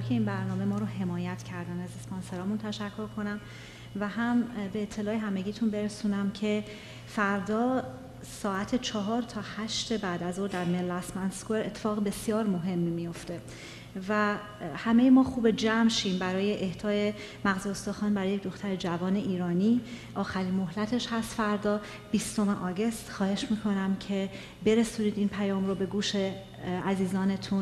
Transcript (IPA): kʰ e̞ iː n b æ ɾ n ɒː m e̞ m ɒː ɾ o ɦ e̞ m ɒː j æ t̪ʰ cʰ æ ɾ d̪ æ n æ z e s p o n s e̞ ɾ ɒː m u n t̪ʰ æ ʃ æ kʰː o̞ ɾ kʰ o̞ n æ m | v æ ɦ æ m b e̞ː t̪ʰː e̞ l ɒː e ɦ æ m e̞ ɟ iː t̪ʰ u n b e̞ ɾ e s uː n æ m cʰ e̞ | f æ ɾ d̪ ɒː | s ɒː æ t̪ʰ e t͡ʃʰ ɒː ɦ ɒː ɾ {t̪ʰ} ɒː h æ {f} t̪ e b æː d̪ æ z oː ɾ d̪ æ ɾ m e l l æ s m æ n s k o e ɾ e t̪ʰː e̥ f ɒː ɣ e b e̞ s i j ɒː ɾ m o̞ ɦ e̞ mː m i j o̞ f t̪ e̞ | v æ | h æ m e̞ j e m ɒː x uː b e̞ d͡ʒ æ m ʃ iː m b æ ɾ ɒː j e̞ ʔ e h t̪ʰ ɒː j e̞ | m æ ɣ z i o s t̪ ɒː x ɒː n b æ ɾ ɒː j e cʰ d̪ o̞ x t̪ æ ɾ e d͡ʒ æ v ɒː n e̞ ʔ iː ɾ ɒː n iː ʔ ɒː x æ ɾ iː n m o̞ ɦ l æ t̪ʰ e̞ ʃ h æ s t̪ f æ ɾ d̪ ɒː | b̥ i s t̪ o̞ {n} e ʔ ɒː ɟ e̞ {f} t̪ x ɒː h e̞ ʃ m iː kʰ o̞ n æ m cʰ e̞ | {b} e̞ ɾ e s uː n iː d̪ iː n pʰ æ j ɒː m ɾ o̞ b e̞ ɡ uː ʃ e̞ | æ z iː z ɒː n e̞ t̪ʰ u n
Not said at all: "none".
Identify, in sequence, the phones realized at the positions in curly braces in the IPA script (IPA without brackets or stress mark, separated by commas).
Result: t̪ʰ, ʃ, m, s, b